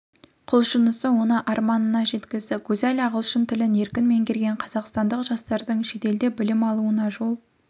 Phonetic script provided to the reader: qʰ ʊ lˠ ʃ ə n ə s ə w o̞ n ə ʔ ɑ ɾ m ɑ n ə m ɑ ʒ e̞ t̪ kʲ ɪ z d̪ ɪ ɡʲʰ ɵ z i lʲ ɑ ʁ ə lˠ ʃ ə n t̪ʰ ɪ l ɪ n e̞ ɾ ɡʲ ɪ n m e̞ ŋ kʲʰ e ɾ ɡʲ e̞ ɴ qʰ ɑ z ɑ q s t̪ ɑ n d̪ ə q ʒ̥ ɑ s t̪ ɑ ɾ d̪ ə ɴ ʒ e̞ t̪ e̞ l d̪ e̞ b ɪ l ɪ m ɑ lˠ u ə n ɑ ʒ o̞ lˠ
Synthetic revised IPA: qʰ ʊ lˠ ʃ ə n ə s ə w o̞ n ə ʔ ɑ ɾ m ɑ n ə n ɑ ʒ e̞ t̪ kʲ ɪ z d̪ ɪ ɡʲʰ ɵ z æ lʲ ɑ ʁ ə lˠ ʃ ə n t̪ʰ ɪ l ɪ n e̞ ɾ kʲ ɪ n m e̞ ŋ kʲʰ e ɾ ɡʲ e̞ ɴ qʰ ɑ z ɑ q s t̪ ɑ n d̪ ə q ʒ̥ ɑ s t̪ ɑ ɾ d̪ ə ɴ ʃ e̞ t̪ e̞ l d̪ e̞ b ɪ l ɪ m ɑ lˠ u ə n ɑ ʒ o̞ lˠ